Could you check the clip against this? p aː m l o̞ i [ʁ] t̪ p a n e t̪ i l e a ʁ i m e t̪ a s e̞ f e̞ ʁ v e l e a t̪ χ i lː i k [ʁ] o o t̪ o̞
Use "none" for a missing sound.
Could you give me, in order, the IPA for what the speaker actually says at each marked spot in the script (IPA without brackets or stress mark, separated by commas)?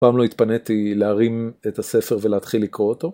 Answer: none, ʁ